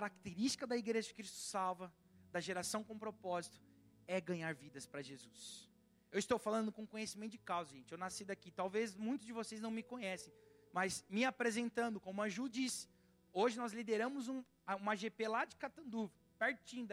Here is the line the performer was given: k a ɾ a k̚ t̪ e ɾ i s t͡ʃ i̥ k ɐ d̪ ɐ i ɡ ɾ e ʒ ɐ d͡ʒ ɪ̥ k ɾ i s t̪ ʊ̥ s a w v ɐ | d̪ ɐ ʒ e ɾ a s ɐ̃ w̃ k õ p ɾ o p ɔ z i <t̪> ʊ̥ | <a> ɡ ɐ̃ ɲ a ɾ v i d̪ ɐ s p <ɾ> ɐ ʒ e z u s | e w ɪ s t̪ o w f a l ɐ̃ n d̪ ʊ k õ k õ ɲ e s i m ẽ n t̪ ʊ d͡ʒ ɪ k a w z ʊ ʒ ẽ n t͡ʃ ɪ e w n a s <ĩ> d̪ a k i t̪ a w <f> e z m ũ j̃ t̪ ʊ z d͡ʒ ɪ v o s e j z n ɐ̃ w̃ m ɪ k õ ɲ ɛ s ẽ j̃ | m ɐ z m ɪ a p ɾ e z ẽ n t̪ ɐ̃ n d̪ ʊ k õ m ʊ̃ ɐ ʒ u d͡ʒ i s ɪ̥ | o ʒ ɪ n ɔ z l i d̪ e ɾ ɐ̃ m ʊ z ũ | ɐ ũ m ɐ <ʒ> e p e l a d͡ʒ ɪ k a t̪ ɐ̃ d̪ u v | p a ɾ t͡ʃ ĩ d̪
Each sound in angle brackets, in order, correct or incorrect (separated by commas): correct, incorrect, correct, incorrect, incorrect, correct